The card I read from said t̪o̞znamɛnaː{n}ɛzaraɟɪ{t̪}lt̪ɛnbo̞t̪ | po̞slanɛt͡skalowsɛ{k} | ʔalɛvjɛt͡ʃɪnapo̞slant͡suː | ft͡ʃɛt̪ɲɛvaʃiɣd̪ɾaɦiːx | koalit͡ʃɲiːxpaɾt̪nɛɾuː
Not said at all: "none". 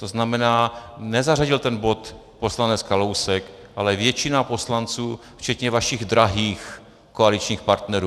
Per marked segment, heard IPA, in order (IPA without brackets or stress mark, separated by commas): n, none, k